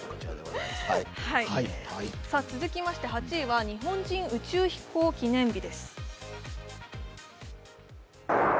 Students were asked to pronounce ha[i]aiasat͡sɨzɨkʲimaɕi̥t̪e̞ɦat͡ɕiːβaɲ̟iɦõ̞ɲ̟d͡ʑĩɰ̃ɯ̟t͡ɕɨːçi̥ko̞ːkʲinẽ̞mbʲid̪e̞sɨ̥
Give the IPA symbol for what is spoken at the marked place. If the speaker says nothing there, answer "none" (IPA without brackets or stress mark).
i